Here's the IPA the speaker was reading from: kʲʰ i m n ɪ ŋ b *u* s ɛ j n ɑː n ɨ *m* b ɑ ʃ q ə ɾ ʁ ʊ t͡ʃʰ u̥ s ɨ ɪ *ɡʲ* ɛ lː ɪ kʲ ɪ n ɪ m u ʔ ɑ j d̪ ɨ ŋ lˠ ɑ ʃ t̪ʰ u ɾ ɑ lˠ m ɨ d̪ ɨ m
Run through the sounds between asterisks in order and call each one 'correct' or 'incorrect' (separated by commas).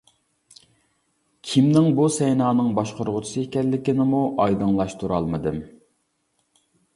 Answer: correct, incorrect, incorrect